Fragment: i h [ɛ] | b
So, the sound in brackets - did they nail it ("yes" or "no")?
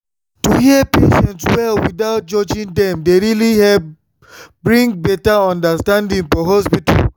yes